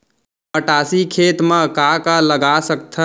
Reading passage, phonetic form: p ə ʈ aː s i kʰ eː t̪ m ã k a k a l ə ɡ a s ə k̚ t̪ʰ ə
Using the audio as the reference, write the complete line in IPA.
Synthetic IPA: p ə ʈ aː s i kʰ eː t̪ m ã k a k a l ə ɡ a s ə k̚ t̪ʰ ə